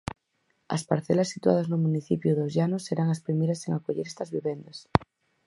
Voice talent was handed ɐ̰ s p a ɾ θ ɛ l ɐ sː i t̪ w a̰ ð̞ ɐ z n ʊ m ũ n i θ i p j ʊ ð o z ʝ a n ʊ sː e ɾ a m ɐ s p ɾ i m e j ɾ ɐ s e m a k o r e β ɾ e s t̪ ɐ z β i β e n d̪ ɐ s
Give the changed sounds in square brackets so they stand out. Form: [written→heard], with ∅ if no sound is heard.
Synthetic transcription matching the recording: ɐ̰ s p a ɾ θ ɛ l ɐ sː i t̪ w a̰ ð̞ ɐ z n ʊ m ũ n i θ i p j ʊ ð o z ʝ a n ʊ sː e ɾ a [m→ŋ] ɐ s p ɾ i m e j ɾ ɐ s e [m→ŋ] a k o [r→ʎ] e [β→∅] ɾ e s t̪ ɐ z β i β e n d̪ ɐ s